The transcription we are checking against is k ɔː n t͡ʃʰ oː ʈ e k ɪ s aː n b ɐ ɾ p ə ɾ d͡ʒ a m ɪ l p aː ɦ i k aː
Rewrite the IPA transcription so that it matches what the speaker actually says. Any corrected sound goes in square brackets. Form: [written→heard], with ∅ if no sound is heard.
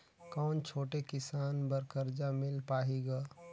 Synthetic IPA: k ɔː n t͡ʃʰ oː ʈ e k ɪ s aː n b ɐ ɾ [p→k] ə ɾ d͡ʒ a m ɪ l p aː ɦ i [k→ɡ] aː